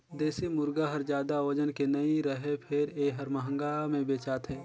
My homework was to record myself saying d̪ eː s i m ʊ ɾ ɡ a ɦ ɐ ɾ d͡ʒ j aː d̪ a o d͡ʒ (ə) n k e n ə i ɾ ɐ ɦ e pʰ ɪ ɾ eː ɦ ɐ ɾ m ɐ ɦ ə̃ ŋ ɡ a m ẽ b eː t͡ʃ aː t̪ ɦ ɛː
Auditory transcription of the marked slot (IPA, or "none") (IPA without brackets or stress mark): ə